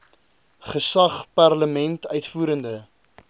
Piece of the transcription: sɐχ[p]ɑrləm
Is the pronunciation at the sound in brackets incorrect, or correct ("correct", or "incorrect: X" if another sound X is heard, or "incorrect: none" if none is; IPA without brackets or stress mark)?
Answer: correct